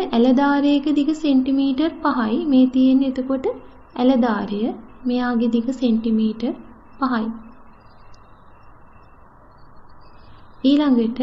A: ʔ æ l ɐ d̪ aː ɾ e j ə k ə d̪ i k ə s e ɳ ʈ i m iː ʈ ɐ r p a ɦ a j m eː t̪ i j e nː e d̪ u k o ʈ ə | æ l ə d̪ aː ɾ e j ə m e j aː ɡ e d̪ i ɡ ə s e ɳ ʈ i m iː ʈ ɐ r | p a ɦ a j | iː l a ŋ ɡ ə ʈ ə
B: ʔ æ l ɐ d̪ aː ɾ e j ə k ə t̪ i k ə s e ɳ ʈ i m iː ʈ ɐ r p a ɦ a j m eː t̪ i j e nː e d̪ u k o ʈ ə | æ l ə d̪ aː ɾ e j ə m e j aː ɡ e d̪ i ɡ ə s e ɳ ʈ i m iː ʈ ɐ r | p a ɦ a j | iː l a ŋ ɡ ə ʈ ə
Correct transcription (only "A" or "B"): A